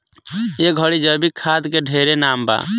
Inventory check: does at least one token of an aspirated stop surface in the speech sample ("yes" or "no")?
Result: yes